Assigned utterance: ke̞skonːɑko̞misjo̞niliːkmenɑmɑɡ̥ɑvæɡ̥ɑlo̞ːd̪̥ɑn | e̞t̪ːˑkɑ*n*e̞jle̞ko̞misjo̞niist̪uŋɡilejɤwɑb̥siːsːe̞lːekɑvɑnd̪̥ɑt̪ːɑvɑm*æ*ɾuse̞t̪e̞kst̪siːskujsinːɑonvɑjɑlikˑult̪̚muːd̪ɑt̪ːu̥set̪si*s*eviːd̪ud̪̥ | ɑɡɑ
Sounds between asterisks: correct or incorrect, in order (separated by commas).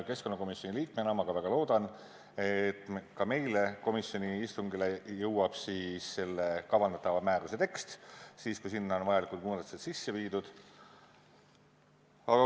incorrect, incorrect, incorrect